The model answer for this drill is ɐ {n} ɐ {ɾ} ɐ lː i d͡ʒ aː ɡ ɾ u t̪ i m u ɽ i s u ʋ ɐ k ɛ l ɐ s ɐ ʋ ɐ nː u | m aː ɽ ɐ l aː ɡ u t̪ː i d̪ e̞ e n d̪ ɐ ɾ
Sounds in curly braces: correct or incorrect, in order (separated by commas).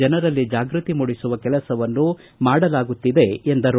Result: correct, correct